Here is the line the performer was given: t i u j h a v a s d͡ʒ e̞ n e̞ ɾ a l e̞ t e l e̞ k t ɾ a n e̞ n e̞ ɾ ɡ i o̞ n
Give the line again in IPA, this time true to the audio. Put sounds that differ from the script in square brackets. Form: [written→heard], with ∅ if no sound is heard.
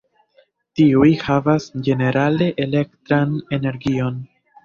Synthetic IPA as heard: t i u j h a v a s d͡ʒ e̞ n e̞ ɾ a l e̞ [t→ʔ] e l e̞ k t ɾ a n e̞ n e̞ ɾ ɡ i o̞ n